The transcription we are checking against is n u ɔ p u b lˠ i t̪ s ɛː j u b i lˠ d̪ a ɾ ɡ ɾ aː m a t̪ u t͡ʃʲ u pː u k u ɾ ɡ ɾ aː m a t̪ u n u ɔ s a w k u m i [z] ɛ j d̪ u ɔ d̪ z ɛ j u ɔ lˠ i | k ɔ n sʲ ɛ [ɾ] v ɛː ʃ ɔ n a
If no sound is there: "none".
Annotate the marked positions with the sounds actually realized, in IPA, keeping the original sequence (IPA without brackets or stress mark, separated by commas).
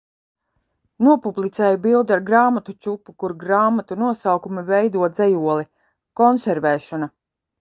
v, ɾ